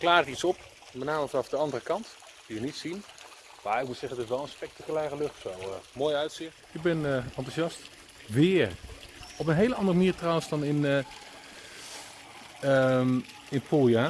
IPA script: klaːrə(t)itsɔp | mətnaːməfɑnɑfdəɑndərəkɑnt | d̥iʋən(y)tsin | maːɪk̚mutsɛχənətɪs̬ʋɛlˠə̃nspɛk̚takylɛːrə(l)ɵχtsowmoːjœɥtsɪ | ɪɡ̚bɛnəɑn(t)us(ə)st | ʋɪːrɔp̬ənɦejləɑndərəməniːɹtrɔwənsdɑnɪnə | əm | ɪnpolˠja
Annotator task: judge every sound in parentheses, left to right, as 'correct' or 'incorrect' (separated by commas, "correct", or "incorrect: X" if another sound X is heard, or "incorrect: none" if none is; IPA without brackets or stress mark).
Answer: correct, incorrect: i, correct, correct, incorrect: ɑ